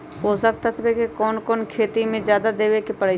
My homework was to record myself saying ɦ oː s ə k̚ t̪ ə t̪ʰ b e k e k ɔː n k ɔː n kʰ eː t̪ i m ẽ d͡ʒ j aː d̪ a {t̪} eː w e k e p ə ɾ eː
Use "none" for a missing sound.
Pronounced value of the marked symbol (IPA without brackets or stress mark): d̪